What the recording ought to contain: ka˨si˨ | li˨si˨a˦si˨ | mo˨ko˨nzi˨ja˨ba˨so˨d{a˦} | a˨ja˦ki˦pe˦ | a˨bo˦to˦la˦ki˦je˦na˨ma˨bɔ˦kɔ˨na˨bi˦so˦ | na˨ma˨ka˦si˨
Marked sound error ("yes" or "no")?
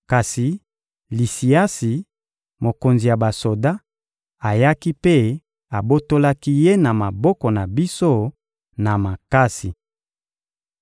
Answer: no